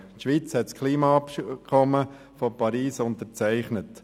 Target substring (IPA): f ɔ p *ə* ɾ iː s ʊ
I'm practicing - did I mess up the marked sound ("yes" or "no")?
yes